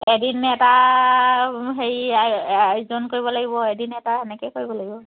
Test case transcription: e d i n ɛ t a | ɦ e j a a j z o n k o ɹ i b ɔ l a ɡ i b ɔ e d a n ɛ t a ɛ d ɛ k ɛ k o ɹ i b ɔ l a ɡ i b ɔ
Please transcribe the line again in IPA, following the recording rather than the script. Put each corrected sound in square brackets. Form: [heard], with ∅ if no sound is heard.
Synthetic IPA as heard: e d i n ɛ t a | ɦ e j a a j z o n k o ɹ i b ɔ l a ɡ i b ɔ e d [i] n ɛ t a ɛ [n] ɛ k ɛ k o ɹ i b ɔ l a ɡ i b ɔ